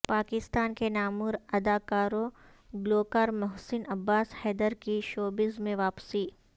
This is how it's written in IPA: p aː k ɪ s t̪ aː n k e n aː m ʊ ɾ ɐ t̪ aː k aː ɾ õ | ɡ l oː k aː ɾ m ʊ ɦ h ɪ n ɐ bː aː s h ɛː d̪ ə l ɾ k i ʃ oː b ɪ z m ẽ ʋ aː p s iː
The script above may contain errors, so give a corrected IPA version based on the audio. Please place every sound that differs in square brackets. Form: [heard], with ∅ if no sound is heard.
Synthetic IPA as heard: p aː k ɪ s t̪ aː n k e n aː m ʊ ɾ ɐ [d̪] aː k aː ɾ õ | ɡ l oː k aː ɾ m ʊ ɦ [s] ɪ n ɐ bː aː s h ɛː d̪ ə [∅] ɾ k i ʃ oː b ɪ z m ẽ ʋ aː p s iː